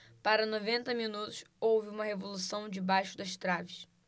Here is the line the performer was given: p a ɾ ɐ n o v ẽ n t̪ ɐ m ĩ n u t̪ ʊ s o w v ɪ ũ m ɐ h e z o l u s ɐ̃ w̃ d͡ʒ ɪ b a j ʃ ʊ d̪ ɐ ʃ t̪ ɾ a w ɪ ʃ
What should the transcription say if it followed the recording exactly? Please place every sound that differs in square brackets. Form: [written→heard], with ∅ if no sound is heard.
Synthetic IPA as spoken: p a ɾ ɐ n o v ẽ n t̪ ɐ m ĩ n u t̪ ʊ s o w v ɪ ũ m ɐ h e [z→v] o l u s ɐ̃ w̃ d͡ʒ ɪ b a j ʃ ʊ d̪ ɐ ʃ t̪ ɾ a [w→v] ɪ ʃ